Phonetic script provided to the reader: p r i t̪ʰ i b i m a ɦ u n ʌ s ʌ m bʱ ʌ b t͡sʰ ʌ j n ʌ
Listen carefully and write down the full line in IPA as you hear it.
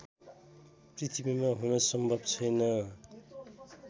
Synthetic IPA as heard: p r i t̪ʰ i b i m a ɦ u n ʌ s ʌ m bʱ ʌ b t͡sʰ ʌ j n ʌ